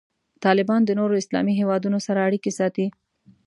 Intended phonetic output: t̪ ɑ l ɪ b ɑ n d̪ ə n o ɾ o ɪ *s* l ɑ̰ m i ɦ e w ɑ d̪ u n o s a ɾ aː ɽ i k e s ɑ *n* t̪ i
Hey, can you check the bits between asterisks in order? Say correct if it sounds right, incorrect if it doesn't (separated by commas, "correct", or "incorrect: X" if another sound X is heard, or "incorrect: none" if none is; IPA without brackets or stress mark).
correct, incorrect: none